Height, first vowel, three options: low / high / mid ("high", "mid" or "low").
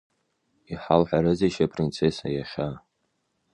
high